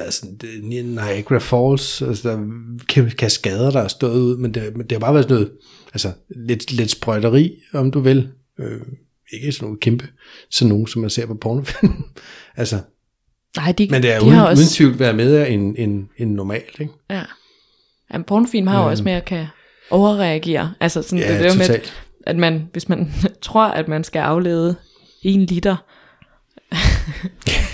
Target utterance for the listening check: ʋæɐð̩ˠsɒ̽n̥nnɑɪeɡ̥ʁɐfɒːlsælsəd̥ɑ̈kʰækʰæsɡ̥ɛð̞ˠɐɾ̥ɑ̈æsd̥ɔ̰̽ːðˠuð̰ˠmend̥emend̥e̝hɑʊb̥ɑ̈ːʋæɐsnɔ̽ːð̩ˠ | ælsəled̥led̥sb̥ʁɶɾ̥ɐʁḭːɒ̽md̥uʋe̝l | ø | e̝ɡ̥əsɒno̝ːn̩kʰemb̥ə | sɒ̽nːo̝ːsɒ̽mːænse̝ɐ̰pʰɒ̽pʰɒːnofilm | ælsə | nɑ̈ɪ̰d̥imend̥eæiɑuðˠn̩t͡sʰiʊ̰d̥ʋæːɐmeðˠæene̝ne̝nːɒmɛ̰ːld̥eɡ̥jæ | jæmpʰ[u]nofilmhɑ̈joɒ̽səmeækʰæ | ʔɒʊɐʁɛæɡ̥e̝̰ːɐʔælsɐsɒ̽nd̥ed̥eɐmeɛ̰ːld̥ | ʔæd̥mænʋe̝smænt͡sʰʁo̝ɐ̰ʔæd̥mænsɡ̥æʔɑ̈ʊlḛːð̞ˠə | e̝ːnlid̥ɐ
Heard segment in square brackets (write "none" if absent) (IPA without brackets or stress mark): ɒ